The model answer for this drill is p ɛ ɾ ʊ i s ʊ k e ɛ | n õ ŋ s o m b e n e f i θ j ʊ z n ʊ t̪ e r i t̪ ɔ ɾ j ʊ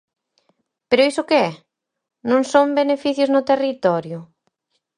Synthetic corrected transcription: p e ɾ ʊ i s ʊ k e ɛ | n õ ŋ s o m b e n e f i θ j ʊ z n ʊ t̪ e r i t̪ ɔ ɾ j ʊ